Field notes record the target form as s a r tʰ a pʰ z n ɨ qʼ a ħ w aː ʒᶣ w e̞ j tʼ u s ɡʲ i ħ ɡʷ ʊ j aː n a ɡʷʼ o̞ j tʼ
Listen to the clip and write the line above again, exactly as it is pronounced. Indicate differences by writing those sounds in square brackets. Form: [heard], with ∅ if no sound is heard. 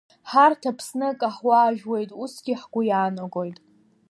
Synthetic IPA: [ħ] a r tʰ a pʰ [s] n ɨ [kʼ] a ħ w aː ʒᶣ w e̞ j tʼ u s ɡʲ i ħ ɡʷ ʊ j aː n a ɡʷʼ o̞ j tʼ